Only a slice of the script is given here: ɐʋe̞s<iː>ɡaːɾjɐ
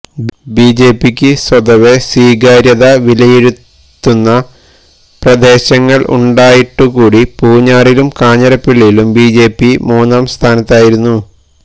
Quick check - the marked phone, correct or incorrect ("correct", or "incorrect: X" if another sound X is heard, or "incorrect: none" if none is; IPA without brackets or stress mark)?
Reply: correct